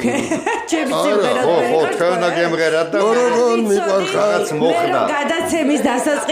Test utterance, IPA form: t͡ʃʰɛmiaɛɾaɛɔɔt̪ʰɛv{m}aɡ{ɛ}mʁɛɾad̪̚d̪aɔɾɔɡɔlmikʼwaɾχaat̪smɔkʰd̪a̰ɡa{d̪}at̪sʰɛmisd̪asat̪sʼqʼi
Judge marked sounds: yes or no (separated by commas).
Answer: no, yes, yes